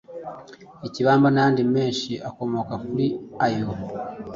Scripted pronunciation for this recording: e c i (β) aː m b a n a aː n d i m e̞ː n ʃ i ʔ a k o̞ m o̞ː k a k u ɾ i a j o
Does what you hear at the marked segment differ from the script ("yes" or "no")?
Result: no